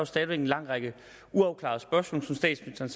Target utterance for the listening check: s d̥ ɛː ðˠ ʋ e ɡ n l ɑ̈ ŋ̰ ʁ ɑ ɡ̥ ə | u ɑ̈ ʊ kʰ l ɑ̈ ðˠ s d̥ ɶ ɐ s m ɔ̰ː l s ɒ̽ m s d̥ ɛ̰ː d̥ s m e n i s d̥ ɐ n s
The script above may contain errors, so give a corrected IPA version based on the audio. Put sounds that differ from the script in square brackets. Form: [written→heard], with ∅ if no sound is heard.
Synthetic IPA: s d̥ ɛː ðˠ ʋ e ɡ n l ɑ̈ ŋ̰ ʁ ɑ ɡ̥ ə | u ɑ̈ ʊ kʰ l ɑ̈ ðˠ s [d̥→b̥] ɶ ɐ s m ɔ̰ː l s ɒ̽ m s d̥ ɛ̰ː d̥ s m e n i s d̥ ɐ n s

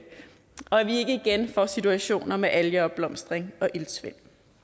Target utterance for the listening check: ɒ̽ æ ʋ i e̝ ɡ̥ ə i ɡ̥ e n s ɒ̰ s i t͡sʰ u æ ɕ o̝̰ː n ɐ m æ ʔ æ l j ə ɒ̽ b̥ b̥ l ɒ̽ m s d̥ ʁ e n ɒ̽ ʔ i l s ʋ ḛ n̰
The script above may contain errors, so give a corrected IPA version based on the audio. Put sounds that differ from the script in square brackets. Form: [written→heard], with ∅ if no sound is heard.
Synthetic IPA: ɒ̽ æ ʋ i e̝ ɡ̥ ə i ɡ̥ e n [s→f] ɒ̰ s i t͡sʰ u æ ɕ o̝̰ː n ɐ m [æ→e] ʔ æ l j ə ɒ̽ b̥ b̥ l ɒ̽ m s d̥ ʁ e [n→ŋ] ɒ̽ ʔ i l s ʋ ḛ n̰

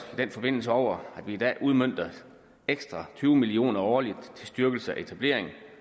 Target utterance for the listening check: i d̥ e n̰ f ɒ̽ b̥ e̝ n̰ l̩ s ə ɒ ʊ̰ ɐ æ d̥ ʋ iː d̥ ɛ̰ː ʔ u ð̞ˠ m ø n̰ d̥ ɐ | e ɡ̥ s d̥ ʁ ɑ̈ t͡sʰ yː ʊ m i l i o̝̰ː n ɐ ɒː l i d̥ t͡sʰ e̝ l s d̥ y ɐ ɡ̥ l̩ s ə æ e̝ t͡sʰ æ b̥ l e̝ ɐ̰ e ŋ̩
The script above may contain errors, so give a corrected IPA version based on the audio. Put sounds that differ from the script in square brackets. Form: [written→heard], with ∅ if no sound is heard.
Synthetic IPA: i d̥ e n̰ f ɒ̽ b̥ e̝ n̰ l̩ s ə ɒ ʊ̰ ɐ æ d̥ ʋ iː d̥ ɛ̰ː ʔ u ð̞ˠ m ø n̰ d̥ ɐ | e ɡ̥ s d̥ ʁ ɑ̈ t͡sʰ yː ʊ m i l i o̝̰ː n ɐ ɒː l i d̥ t͡sʰ e̝ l s d̥ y ɐ ɡ̥ l̩ s ə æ e̝ t͡sʰ æ b̥ l e̝ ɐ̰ e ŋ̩

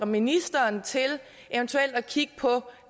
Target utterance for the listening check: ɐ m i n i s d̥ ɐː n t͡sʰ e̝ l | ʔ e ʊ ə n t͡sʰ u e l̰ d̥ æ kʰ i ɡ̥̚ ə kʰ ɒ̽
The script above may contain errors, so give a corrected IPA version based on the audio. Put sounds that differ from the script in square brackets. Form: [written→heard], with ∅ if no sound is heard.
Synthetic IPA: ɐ m i n i s d̥ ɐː n t͡sʰ e̝ l | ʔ e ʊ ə n t͡sʰ u e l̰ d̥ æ kʰ i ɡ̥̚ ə [kʰ→pʰ] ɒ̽

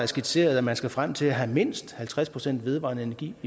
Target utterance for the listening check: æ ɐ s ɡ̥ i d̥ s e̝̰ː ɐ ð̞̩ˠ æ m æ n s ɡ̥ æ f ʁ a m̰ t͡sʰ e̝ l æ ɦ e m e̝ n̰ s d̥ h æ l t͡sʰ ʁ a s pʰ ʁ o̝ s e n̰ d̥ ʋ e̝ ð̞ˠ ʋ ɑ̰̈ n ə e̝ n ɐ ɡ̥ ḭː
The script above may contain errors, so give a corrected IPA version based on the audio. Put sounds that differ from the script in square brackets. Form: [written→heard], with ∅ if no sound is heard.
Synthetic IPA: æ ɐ s ɡ̥ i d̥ s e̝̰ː ɐ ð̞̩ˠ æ m æ n s ɡ̥ æ f ʁ a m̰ t͡sʰ e̝ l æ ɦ [e→æ] m e̝ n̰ s d̥ h æ l t͡sʰ ʁ a s pʰ ʁ o̝ s e n̰ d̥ ʋ e̝ ð̞ˠ ʋ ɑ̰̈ n ə e̝ n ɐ ɡ̥ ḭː

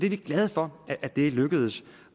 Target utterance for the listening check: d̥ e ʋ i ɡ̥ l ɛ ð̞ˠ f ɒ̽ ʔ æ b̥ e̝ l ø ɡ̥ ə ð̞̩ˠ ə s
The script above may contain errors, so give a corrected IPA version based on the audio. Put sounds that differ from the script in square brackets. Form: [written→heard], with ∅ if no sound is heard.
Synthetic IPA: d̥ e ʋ i ɡ̥ l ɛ ð̞ˠ f ɒ̽ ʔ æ [b̥→d̥] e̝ l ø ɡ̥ ə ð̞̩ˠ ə s

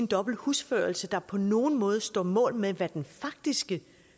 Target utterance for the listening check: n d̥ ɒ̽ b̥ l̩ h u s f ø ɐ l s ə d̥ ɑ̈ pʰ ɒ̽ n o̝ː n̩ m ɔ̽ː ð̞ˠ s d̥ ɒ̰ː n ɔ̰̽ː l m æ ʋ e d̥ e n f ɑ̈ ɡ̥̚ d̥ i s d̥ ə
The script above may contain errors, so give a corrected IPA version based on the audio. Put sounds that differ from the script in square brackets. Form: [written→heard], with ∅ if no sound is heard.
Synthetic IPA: n d̥ ɒ̽ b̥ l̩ h u s f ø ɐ l s ə d̥ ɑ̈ pʰ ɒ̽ n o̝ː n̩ m ɔ̽ː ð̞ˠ s d̥ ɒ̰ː [n→m] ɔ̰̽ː l m [æ→e] ʋ [e→æ] d̥ e n f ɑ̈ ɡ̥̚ d̥ i s [d̥→ɡ̥] ə

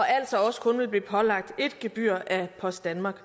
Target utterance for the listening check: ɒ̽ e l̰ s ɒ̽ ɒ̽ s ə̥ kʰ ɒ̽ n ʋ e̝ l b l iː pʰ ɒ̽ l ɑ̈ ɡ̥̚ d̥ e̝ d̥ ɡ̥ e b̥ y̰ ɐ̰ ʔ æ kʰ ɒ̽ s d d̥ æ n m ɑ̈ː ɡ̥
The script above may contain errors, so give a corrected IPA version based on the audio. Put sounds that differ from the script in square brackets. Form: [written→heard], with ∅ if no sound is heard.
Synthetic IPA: ɒ̽ [e→æ] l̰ s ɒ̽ ɒ̽ s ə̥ kʰ [ɒ̽→ɔ̽] n ʋ e̝ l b l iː pʰ ɒ̽ l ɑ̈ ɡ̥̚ d̥ e̝ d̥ ɡ̥ e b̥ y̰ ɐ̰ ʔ æ [kʰ→pʰ] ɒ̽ s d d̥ æ n m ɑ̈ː ɡ̥

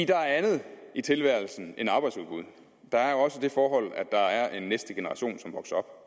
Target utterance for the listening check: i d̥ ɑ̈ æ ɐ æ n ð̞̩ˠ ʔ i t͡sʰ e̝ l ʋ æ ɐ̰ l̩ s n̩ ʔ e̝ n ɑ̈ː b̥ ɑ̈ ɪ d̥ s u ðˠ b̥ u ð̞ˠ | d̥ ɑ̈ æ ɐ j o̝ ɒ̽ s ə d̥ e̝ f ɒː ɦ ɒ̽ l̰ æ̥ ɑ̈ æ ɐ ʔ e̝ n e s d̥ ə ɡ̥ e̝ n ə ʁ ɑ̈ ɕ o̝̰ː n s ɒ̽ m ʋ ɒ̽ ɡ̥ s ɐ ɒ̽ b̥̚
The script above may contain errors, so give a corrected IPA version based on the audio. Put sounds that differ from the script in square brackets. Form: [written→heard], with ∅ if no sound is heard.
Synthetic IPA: i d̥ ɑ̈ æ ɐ æ n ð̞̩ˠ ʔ i t͡sʰ e̝ l ʋ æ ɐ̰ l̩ s n̩ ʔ e̝ n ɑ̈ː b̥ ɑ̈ ɪ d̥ s u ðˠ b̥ u ð̞ˠ | d̥ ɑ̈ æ ɐ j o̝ ɒ̽ s ə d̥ e̝ f ɒː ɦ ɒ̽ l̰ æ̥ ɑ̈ æ ɐ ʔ e̝ [n→nː] e s d̥ ə ɡ̥ e̝ n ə ʁ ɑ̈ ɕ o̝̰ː n s ɒ̽ m ʋ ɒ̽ ɡ̥ s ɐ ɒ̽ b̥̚

